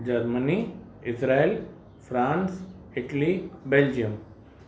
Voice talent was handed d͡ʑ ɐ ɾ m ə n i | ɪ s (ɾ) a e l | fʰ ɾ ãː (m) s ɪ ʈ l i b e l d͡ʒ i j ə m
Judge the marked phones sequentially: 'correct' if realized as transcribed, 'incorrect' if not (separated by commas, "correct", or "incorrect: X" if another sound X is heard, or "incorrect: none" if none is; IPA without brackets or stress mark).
correct, incorrect: n